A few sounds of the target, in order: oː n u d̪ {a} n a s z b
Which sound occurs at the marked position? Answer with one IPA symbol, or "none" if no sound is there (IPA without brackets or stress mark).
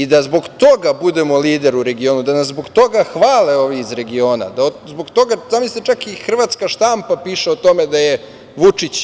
a